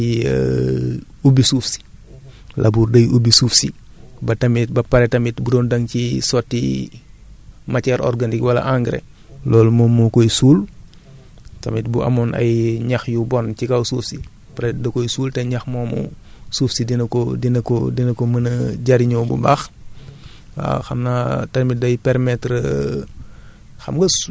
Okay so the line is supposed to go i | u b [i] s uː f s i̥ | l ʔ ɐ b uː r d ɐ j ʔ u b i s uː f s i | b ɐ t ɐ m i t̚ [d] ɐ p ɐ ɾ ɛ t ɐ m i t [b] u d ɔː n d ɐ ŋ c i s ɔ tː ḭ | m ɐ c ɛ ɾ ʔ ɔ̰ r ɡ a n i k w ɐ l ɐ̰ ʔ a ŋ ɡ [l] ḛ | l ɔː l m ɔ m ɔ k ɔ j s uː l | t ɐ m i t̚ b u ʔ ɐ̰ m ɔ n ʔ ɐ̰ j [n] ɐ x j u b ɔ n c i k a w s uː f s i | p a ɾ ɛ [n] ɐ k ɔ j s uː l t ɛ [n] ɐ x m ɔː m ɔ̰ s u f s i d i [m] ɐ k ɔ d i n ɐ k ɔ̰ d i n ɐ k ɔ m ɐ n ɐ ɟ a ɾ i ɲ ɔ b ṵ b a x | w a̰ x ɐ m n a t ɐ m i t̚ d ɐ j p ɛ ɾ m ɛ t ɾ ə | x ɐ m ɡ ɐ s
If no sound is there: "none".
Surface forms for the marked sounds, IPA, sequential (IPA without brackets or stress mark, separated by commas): i, b, b, ɾ, ɲ, d, ɲ, n